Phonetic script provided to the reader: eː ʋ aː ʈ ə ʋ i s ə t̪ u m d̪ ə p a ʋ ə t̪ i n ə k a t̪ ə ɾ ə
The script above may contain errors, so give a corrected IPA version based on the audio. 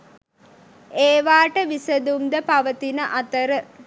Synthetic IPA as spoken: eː ʋ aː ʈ ə ʋ i s ə d̪ u m d̪ ə p a ʋ ə t̪ i n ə ʔ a t̪ ə ɾ ə